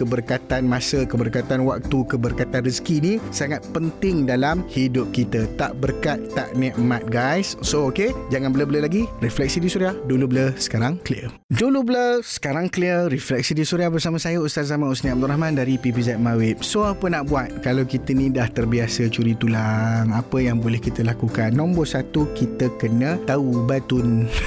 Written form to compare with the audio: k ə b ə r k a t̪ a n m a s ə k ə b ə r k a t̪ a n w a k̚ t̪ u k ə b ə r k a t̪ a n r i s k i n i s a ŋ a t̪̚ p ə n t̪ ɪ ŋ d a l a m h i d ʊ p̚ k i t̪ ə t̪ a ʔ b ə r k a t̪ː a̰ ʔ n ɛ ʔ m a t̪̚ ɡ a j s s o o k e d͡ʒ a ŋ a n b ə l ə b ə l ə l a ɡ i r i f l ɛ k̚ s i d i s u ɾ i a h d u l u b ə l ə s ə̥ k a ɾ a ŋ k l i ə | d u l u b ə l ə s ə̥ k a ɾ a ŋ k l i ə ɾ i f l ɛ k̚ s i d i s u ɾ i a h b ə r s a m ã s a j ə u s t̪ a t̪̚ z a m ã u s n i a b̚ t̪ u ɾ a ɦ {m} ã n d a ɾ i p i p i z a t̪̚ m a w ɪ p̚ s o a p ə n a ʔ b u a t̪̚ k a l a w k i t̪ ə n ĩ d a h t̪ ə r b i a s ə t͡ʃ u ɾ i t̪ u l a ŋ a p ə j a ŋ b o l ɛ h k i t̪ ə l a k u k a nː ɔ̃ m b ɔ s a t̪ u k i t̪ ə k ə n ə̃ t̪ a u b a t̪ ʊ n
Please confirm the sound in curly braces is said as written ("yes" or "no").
yes